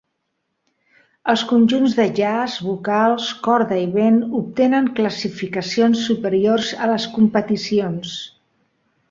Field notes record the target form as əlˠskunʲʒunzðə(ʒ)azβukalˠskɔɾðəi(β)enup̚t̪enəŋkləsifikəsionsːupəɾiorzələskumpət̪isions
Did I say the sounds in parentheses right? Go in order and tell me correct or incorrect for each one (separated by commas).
correct, correct